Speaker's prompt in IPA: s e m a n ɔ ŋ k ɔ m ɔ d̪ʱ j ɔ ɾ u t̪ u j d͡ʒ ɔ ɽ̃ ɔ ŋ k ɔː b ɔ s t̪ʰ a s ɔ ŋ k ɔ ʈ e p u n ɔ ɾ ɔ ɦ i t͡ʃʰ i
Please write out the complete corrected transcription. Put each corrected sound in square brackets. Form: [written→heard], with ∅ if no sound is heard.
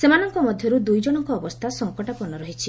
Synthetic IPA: s e m a n ɔ ŋ k ɔ m ɔ d̪ʱ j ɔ ɾ u [t̪→d̪] u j d͡ʒ ɔ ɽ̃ ɔ ŋ k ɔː b ɔ s t̪ʰ a s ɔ ŋ k ɔ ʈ [e→a] p [u→ɔ] n ɔ ɾ ɔ ɦ i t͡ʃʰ i